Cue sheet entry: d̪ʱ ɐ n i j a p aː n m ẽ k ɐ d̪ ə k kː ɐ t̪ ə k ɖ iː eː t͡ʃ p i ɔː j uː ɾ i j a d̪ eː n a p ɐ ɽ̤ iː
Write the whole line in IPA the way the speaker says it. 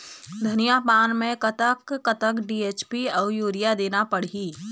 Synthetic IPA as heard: d̪ʱ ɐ n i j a p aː n m ẽ k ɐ t̪ ə k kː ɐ t̪ ə k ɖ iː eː t͡ʃ p i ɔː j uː ɾ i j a d̪ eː n a p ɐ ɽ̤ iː

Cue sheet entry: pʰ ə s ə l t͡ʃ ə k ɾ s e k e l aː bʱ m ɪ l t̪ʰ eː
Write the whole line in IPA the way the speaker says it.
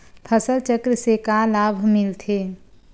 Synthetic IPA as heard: pʰ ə s ə l t͡ʃ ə k ɾ s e k a l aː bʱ m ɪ l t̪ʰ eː

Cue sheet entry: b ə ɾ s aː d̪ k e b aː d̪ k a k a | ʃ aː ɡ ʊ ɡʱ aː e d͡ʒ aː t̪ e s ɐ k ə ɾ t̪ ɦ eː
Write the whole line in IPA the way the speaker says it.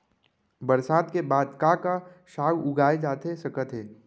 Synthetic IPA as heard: b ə ɾ s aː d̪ k e b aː d̪ k a k a | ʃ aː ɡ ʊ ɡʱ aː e d͡ʒ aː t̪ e s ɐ k ə t̪ ɦ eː

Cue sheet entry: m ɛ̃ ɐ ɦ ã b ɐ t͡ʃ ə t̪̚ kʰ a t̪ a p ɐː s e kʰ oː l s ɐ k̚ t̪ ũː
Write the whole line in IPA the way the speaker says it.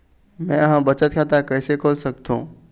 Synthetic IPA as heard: m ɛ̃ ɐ ɦ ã b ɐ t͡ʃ ə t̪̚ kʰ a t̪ a k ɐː s e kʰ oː l s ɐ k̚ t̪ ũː

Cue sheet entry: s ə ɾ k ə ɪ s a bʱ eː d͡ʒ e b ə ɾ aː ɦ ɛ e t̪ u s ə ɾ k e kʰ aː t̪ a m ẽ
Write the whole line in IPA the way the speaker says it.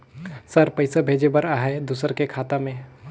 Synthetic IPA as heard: s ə ɾ p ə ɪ s a bʱ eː d͡ʒ e b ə ɾ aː ɦ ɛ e d̪ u s ə ɾ k e kʰ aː t̪ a m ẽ

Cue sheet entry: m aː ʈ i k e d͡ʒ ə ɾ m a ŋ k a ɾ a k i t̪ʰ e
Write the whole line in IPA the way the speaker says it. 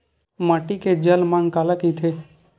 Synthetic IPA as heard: m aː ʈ i k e d͡ʒ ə l m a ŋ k a l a k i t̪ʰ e

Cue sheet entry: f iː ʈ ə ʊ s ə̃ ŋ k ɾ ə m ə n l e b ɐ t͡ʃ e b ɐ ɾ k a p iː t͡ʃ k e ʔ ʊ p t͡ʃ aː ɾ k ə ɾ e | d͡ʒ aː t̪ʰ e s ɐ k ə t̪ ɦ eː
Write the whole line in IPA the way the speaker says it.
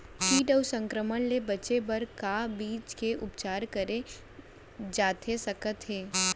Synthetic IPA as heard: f iː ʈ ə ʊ s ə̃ ŋ k ɾ ə m ə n l e b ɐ t͡ʃ e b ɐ ɾ k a b iː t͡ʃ k e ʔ ʊ p t͡ʃ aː ɾ k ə ɾ e | d͡ʒ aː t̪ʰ e s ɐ k ə t̪ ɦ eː

